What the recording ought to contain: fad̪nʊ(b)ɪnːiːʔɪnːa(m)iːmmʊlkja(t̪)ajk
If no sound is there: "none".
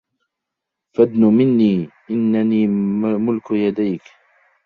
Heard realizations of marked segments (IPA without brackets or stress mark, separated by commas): m, n, d̪